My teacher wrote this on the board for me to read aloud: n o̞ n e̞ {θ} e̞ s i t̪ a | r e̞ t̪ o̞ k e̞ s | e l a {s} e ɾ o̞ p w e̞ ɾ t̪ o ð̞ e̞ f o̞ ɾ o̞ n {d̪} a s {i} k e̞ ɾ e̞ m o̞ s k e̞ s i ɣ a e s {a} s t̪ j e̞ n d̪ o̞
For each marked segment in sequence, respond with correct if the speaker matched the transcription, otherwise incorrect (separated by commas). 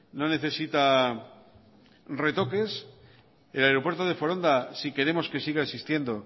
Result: correct, incorrect, correct, correct, incorrect